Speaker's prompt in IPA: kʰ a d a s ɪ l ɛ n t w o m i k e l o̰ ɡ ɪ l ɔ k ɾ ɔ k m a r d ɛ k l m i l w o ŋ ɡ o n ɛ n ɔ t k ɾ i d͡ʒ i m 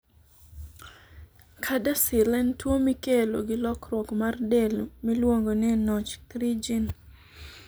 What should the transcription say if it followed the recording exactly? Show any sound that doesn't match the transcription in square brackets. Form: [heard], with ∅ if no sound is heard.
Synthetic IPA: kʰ a d a s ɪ l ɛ n t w o m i k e l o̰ ɡ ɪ l ɔ k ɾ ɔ k m a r d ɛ [∅] l m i l w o ŋ ɡ o n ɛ n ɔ [t͡ʃ] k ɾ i d͡ʒ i [n]

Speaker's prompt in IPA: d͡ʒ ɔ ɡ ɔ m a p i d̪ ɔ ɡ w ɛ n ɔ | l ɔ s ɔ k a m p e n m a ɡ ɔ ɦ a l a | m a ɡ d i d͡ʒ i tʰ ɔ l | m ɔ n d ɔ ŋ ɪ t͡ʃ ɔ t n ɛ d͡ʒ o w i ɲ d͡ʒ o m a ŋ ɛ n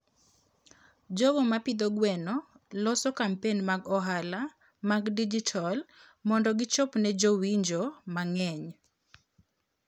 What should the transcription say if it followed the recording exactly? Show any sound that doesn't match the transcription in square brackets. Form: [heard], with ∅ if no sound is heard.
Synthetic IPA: d͡ʒ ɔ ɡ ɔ m a p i d̪ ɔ ɡ w ɛ n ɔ | l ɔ s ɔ k a m p e n m a ɡ ɔ ɦ a l a | m a ɡ d i d͡ʒ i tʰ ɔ l | m ɔ n d ɔ [ɡ] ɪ t͡ʃ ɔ [p] n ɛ d͡ʒ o w i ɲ d͡ʒ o m a ŋ ɛ [ɲ]

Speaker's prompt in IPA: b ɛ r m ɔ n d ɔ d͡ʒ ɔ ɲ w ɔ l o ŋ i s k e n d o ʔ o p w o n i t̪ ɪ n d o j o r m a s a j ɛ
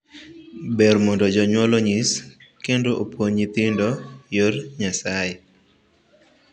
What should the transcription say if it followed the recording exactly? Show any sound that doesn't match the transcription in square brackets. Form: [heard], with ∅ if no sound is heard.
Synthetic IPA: b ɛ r m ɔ n d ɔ d͡ʒ ɔ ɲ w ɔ l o [ɲ] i s k e n d o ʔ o p w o [ɲ] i t̪ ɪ n d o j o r [ɲ] a s a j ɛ

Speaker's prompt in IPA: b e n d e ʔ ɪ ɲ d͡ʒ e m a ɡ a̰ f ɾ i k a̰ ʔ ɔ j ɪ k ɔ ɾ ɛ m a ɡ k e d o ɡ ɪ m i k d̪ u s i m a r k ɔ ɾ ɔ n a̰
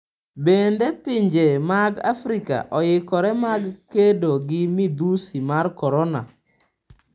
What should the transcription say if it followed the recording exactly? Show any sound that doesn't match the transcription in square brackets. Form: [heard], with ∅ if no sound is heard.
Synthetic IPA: b e n d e [p] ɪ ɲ d͡ʒ e m a ɡ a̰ f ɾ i k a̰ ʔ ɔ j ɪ k ɔ ɾ ɛ m a ɡ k e d o ɡ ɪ m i [∅] d̪ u s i m a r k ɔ ɾ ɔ n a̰

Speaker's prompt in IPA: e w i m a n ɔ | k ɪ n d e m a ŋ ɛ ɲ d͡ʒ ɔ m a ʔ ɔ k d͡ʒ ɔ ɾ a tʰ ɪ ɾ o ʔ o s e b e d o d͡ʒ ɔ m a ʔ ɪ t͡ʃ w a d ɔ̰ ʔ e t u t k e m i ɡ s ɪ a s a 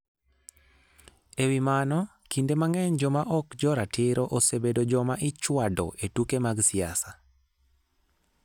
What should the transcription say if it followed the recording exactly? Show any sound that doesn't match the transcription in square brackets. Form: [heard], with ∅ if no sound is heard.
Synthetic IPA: e w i m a n ɔ | k [i] n d e m a ŋ ɛ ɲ d͡ʒ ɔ m a ʔ ɔ k d͡ʒ ɔ ɾ a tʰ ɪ ɾ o ʔ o s e b e d o d͡ʒ ɔ m a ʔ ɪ t͡ʃ w a d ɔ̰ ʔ e t u [∅] k e m [a] ɡ s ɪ a s a

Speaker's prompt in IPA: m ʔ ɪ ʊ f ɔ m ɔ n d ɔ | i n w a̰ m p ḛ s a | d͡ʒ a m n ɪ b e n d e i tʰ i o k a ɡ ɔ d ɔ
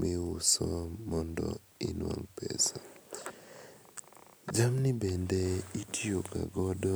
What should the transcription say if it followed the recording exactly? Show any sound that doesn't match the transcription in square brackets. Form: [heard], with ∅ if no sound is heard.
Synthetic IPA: m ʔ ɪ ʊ [s] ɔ m ɔ n d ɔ | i n w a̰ [ŋ] p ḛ s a | d͡ʒ a m n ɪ b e n d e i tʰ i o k a ɡ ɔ d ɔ

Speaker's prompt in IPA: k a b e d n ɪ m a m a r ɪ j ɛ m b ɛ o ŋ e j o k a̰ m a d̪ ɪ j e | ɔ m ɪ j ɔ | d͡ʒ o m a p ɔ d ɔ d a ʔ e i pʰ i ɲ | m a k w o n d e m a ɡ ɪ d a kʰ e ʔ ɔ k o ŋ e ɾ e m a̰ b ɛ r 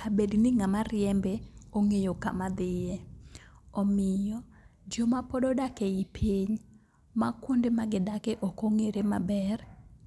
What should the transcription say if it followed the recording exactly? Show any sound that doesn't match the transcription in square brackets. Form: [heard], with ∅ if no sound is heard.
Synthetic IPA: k a b e d n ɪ [ŋ] a m a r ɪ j ɛ m b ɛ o ŋ e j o k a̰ m a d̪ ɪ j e | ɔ m ɪ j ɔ | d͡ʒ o m a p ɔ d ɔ d a [k] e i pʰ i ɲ | m a k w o n d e m a ɡ ɪ d a [k] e ʔ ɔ k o ŋ e ɾ e m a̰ b ɛ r

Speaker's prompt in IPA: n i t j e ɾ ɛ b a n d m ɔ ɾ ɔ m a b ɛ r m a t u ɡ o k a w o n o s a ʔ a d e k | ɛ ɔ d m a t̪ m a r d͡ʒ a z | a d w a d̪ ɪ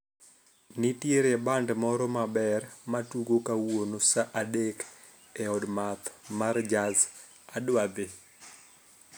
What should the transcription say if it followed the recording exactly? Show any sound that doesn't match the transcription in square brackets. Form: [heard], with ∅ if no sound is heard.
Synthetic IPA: n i t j e ɾ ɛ b a n d m ɔ ɾ ɔ m a b ɛ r m a t u ɡ o k a w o n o s a ʔ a d e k | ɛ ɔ d m a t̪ m a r d͡ʒ a z | a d w a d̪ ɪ

